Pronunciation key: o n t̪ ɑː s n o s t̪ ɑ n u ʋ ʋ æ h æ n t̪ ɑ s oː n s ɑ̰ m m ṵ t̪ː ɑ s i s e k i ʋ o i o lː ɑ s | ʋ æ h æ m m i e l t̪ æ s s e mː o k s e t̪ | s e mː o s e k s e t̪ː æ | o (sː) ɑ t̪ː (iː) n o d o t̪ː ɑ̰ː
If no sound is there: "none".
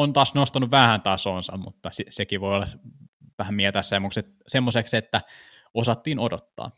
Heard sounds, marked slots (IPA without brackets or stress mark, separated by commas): s, iː